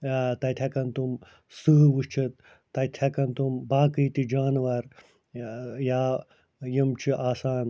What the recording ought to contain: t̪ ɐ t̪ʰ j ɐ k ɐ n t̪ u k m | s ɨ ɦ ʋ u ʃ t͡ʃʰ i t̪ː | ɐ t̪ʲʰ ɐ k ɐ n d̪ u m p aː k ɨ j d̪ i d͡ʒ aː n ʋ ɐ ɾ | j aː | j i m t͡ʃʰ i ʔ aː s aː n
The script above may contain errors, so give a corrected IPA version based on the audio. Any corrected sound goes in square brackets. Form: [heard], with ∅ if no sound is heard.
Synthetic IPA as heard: t̪ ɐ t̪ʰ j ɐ k ɐ n t̪ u [∅] m | s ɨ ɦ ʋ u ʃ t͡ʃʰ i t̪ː | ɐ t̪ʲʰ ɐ k ɐ n [t̪] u m [b] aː k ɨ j [t̪] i d͡ʒ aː n ʋ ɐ ɾ | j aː | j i m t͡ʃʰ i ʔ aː s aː n